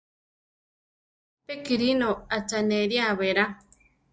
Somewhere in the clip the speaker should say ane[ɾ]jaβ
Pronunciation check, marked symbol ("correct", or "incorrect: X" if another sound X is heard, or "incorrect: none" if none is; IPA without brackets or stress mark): correct